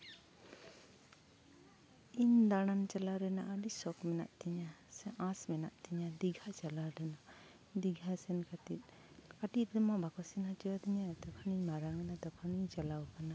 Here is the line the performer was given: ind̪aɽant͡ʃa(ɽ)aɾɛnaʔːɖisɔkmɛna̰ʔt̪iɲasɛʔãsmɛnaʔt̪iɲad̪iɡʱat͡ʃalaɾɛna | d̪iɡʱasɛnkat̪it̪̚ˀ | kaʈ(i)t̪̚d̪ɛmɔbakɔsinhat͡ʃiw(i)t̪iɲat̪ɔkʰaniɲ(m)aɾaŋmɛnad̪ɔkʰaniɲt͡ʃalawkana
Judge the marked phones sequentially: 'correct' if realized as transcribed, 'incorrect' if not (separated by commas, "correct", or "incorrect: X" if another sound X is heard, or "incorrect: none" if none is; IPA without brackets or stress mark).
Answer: incorrect: l, correct, incorrect: a, correct